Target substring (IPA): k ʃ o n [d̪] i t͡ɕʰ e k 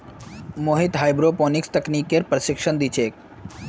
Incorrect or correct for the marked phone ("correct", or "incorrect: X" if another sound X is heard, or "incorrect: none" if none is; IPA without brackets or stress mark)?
correct